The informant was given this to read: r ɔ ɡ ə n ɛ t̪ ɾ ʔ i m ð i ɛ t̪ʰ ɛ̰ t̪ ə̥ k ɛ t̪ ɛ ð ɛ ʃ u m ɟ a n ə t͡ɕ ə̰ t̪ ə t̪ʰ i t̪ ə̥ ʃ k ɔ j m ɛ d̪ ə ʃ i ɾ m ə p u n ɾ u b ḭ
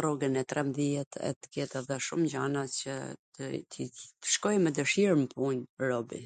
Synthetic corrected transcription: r ɔ ɡ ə n ɛ t̪ ɾ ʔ ɛ m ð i ɛ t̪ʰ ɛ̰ t̪ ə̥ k ɛ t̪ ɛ ð ɛ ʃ u m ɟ a n a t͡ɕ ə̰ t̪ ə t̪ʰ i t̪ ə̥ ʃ k ɔ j m ɛ d̪ ə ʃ i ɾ m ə p u n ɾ ɔ b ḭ